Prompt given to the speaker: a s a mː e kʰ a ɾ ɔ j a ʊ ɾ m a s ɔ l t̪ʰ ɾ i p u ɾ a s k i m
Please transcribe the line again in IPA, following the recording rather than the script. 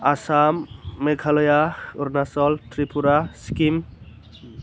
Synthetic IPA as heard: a s a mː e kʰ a l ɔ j a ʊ ɾ n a s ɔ l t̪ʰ ɾ i p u ɾ a s k i m

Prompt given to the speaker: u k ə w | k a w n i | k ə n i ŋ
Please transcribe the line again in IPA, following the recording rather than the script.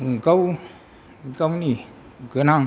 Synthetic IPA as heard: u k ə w | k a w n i | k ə n a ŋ

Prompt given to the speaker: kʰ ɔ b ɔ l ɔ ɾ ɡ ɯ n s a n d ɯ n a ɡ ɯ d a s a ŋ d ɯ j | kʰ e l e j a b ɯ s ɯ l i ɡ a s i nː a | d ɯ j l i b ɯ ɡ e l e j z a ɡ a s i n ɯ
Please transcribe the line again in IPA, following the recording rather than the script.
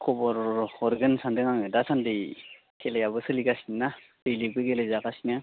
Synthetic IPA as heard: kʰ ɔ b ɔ ɾ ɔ ɾ ɡ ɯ n s a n d ɯ ŋ a ŋ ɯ d a s a n d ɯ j | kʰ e l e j a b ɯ s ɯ l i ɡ a s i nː a | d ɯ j l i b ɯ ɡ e l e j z a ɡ a s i n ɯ

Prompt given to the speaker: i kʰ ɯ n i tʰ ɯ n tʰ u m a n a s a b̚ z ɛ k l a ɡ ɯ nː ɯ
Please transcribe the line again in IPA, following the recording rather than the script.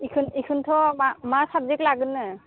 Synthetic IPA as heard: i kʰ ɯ n i kʰ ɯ n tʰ ɔ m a m a s a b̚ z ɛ k l a ɡ ɯ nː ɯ

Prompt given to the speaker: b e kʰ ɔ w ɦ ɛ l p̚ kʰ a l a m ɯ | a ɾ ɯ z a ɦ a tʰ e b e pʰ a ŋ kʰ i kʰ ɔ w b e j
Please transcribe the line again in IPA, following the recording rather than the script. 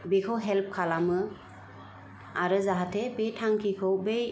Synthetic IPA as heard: b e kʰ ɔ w ɦ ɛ l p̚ kʰ a l a m ɯ | a ɾ ɯ z a ɦ a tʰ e b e tʰ a ŋ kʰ i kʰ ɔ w b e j

